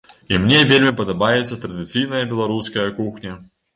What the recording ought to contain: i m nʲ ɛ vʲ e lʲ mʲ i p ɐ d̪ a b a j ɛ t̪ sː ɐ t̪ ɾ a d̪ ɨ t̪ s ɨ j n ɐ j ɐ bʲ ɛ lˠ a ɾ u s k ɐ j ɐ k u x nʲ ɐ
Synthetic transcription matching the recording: i m nʲ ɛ vʲ e lʲ mʲ i p ɐ d̪ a b a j ɛ t̪ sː ɐ t̪ ɾ ɐ d̪ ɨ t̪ s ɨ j n ɐ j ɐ bʲ ɛ lˠ a ɾ u s k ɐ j ɐ k u x nʲ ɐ